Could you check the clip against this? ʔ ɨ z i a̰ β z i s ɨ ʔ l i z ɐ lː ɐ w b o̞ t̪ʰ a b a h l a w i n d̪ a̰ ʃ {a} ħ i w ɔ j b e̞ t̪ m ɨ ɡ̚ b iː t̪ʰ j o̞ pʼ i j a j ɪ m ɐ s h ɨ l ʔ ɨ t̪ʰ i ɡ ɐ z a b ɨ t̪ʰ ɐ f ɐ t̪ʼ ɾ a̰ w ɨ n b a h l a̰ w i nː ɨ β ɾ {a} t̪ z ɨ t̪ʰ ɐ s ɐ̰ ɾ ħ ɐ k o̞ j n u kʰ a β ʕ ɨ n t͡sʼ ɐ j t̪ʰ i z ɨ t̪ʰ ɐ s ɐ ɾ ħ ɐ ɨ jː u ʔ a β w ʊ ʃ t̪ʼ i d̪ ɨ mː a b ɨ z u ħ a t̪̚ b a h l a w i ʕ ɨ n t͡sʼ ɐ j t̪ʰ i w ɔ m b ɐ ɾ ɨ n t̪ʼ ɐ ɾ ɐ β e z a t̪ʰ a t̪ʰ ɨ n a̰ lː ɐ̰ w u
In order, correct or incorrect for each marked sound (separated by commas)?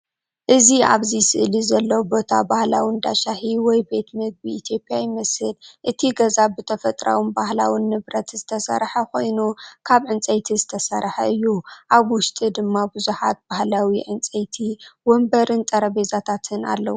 correct, incorrect